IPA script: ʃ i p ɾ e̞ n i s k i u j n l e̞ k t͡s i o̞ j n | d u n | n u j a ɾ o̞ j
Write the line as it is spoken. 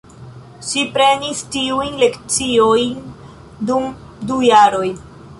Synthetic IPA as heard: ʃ i p ɾ e̞ n i s t i u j n l e̞ k t͡s i o̞ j n | d u m | d u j a ɾ o̞ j